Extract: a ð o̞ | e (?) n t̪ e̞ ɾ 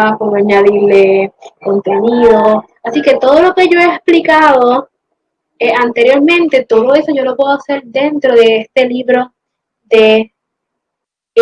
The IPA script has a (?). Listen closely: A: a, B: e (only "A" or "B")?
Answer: A